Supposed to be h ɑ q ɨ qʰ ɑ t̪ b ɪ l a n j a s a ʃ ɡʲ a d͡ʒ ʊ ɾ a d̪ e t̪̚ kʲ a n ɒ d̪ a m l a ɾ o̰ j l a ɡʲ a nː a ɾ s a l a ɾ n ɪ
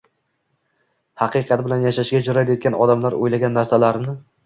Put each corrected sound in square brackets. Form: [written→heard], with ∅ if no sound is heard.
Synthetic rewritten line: h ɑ q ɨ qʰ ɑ t̪ b ɪ l a n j a [s→ʃ] a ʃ ɡʲ a d͡ʒ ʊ ɾ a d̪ e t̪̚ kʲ a n ɒ d̪ a m l a ɾ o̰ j l a ɡʲ a nː a ɾ s a l a ɾ n ɪ